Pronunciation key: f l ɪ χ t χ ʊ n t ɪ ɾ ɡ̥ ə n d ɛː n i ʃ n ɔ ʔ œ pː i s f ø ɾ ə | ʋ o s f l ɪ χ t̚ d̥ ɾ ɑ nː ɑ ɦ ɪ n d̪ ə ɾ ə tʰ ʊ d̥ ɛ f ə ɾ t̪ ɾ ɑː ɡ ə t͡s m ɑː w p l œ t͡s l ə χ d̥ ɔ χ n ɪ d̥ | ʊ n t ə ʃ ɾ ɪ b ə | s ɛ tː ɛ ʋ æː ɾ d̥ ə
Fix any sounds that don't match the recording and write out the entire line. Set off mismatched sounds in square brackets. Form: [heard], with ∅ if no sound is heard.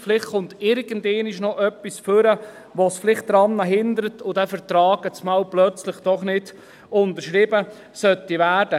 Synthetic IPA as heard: f l ɪ χ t χ ʊ n t ɪ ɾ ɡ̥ ə n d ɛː n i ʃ n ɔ ʔ œ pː i s f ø ɾ ə | ʋ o s f l ɪ χ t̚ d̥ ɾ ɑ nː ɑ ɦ ɪ n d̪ ə ɾ ə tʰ ʊ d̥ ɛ f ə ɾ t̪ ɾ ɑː ɡ ə t͡s m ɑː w p l œ t͡s l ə χ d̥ ɔ χ n ɪ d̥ | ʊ n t ə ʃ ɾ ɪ b ə | s [œ] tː [i] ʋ æː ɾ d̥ ə

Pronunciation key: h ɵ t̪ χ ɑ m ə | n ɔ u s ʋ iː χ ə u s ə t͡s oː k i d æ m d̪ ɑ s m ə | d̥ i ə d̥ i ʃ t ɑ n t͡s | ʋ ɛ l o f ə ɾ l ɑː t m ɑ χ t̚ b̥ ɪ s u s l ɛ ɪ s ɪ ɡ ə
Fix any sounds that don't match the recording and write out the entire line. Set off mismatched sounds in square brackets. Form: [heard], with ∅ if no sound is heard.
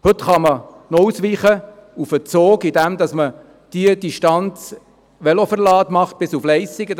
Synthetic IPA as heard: h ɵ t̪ χ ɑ m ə | n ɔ u s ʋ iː χ ə u [f] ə t͡s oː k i d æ m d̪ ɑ s m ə | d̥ i ə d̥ i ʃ t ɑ n t͡s | ʋ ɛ l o f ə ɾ l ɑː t m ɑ χ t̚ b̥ ɪ s u [f] l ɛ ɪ s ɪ ɡ ə

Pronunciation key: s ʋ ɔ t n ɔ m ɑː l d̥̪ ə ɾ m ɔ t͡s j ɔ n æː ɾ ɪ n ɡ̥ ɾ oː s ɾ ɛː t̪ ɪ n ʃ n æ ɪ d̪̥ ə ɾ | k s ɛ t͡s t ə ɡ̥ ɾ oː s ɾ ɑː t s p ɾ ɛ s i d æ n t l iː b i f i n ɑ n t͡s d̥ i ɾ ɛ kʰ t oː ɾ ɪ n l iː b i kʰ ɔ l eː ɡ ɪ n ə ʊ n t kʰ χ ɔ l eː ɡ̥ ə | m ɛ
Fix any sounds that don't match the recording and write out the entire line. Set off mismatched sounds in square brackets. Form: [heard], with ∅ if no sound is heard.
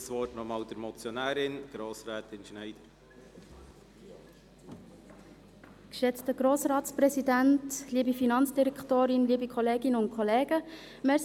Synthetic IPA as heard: s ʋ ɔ t n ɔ m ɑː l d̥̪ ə ɾ m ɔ t͡s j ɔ n æː ɾ ɪ n ɡ̥ ɾ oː s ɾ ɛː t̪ ɪ n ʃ n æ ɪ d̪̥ ə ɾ | k [ʃ] ɛ t͡s t ə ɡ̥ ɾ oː s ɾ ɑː t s p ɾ ɛ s i d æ n t l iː b i f i n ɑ n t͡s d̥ i ɾ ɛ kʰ t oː ɾ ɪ n l iː b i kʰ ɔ l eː ɡ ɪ n ə ʊ n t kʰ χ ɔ l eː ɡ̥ ə | m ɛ

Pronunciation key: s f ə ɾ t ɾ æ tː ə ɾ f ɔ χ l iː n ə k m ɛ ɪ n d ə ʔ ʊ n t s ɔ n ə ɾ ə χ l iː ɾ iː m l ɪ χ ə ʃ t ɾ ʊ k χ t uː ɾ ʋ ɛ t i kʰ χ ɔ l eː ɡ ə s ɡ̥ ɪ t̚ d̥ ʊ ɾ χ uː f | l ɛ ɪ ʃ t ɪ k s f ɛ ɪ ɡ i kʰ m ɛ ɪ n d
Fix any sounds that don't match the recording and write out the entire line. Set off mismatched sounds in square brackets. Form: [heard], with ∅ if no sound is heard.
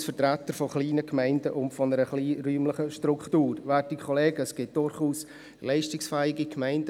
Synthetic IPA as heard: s f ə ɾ t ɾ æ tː ə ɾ f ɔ χ l iː n ə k m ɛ ɪ n d ə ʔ ʊ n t [f] ɔ n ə ɾ ə χ l iː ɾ [yː] m l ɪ χ ə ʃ t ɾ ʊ k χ t uː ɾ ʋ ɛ t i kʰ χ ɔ l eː ɡ ə s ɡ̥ ɪ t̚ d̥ ʊ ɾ χ uː [s] | l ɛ ɪ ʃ t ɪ k s f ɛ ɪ ɡ i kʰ m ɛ ɪ n d

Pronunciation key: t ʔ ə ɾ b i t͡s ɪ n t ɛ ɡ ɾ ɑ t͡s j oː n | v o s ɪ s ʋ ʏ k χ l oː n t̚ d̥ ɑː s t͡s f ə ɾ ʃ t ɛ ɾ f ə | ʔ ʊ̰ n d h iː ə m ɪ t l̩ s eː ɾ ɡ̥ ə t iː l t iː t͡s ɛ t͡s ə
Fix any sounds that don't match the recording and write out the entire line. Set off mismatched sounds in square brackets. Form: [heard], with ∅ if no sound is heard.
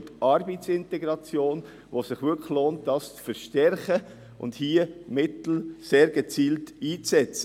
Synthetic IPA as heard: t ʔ [ɑ] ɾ b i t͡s ɪ n t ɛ ɡ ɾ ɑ t͡s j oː n | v o s ɪ [χ] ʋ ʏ k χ l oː n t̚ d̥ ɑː s t͡s f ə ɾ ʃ t ɛ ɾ [χ] ə | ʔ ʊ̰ n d h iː ə m ɪ t l̩ s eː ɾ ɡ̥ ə [t͡s] iː l t iː t͡s ɛ t͡s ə

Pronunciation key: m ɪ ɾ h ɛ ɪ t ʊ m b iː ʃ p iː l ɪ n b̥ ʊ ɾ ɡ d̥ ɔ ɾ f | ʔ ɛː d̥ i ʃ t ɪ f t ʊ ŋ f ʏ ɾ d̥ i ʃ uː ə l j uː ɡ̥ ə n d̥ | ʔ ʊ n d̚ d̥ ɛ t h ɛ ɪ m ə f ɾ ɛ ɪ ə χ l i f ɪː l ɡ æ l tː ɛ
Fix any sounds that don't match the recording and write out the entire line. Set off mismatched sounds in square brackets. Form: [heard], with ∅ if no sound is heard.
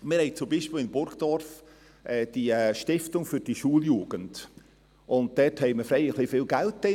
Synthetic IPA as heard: m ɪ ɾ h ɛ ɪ [t͡s] ʊ m b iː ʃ p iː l ɪ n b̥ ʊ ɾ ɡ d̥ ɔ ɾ f | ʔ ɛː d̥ i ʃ t ɪ f t ʊ ŋ f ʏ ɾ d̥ i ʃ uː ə l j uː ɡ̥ ə n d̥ | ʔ ʊ n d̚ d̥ ɛ t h ɛ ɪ m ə f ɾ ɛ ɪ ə χ l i f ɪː l ɡ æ l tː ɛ

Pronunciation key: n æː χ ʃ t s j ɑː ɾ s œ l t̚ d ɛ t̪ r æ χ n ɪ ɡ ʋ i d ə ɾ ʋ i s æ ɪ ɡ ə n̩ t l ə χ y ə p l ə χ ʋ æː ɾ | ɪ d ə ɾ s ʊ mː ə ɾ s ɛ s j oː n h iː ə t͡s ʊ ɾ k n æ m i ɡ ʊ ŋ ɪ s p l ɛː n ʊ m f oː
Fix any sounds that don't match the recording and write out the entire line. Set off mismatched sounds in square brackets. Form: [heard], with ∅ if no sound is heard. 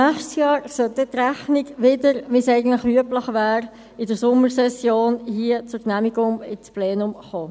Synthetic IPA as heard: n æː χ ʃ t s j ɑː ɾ s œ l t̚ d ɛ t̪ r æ χ n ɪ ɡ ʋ [ɪ] d ə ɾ ʋ i s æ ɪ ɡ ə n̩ t l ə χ y ə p l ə χ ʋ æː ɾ | ɪ d ə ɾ s ʊ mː ə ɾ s ɛ s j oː n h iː ə t͡s ʊ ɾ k n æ m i ɡ ʊ ŋ ɪ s p l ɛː n ʊ m [χ] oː

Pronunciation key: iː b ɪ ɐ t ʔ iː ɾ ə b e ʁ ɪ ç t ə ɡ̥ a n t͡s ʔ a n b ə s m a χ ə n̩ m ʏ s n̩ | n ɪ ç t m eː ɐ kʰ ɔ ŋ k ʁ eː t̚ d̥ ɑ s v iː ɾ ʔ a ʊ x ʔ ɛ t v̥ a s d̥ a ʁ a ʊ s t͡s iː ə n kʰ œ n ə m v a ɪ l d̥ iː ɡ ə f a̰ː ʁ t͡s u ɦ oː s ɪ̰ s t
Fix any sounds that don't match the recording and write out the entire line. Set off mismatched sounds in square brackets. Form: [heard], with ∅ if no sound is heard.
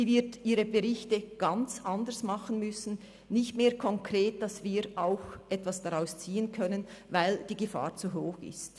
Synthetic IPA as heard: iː [v] ɪ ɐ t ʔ iː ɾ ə b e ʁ ɪ ç t ə ɡ̥ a n t͡s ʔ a n [d] ə s m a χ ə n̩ m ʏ s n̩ | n ɪ ç t m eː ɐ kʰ ɔ ŋ k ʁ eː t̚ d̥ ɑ s v iː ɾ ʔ a ʊ x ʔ ɛ t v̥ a s d̥ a ʁ a ʊ s t͡s iː ə n kʰ œ n ə [n] v a ɪ l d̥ iː ɡ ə f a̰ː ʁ t͡s u ɦ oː [x] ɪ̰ s t

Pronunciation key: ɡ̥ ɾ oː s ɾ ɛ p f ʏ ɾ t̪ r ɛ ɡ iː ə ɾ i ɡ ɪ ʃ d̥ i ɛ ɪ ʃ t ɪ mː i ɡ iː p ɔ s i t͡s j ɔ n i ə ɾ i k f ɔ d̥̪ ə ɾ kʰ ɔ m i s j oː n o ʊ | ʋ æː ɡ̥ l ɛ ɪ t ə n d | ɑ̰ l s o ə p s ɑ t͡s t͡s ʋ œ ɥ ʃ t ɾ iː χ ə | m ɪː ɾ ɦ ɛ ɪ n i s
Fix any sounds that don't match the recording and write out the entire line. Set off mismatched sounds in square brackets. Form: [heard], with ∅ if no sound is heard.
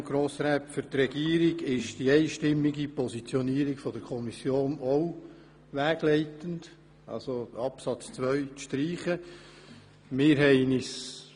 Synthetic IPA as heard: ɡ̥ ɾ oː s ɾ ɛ p f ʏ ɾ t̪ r ɛ ɡ iː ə ɾ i ɡ ɪ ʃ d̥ i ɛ ɪ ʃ t ɪ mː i ɡ [i] p ɔ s i t͡s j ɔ n i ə ɾ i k f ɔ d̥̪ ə ɾ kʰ ɔ m i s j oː n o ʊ | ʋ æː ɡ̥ l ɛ ɪ t ə n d | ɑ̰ l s o [ɑ] p s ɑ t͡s t͡s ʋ œ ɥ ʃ t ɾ iː χ ə | m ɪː ɾ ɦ ɛ ɪ n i s

